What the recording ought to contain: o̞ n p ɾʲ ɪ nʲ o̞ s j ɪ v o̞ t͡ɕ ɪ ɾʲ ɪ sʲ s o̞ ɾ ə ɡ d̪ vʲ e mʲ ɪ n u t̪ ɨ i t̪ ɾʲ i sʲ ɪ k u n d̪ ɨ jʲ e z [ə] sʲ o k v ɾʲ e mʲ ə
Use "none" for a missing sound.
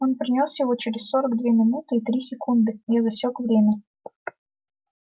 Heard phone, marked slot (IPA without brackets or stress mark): ɐ